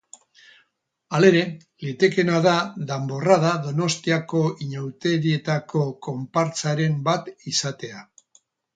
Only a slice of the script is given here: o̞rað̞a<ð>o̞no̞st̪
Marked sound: correct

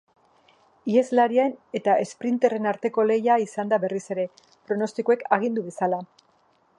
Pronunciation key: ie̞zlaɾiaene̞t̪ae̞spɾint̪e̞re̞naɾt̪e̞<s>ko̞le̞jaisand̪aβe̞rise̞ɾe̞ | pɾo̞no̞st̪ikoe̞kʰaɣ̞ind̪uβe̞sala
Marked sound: incorrect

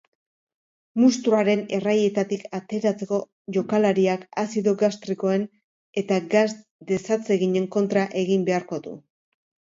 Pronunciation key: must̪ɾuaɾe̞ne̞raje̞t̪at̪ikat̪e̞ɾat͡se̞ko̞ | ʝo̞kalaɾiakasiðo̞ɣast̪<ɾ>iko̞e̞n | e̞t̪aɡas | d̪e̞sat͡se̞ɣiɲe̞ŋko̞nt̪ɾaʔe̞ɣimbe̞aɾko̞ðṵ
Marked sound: correct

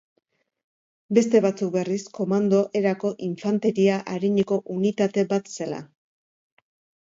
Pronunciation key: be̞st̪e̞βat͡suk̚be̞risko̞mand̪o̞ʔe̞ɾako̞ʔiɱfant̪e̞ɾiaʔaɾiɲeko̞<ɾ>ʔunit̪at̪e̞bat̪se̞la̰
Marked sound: incorrect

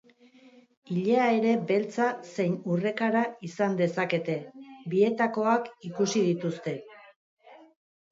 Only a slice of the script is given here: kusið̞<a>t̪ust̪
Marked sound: incorrect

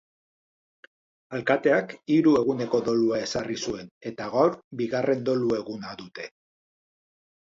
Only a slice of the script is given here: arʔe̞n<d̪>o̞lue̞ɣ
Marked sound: correct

